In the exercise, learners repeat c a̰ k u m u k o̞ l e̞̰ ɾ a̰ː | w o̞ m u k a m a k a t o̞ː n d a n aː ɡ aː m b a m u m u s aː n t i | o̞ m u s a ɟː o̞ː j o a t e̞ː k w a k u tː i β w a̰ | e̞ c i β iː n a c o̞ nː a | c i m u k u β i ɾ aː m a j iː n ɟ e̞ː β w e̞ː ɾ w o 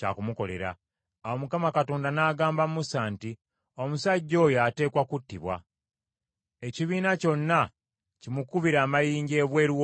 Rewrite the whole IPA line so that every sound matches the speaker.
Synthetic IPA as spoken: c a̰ k u m u k o̞ l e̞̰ ɾ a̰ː | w o̞ m u k a m a k a t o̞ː n d a n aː ɡ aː m b a m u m u s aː n t i | o̞ m u s a ɟː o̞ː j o a t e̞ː k w a k u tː i β w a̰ | e̞ c i β iː n a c o̞ nː a | c i m u k u β i ɾ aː m a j iː ɲ ɟ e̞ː β w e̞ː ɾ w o